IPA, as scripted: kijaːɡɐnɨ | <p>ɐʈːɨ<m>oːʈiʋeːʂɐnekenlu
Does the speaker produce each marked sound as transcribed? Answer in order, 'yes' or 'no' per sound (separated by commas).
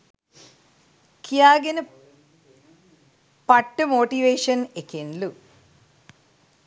yes, yes